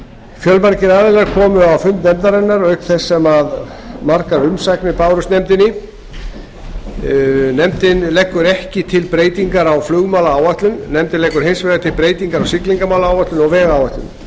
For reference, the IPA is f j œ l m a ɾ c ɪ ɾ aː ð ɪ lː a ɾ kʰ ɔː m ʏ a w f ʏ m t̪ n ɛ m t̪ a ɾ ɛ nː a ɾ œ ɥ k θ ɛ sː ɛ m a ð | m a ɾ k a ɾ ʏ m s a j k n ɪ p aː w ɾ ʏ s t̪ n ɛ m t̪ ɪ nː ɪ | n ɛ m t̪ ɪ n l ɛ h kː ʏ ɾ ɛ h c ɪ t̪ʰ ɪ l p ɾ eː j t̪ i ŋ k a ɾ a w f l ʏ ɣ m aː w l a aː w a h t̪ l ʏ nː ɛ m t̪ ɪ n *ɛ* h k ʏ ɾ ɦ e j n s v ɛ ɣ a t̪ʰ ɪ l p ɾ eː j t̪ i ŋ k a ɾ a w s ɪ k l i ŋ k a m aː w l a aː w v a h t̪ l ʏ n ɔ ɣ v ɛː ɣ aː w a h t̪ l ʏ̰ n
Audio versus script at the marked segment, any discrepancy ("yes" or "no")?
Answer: no